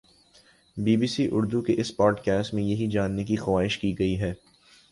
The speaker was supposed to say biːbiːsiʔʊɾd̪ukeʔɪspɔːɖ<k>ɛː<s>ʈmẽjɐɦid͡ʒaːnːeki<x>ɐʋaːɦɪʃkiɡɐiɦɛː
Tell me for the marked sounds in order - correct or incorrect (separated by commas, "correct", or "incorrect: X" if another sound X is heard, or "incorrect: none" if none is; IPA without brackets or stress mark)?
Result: correct, correct, correct